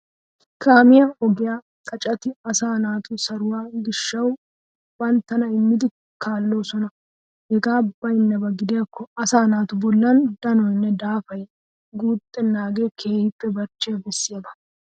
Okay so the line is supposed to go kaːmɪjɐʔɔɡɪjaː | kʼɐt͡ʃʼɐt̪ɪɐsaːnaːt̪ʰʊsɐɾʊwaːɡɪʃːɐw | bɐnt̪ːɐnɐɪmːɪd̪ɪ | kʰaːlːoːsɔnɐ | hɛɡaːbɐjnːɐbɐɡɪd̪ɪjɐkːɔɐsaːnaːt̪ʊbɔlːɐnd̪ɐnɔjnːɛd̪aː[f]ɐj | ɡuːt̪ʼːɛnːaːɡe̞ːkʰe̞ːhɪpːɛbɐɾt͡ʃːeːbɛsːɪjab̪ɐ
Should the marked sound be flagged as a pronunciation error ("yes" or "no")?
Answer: no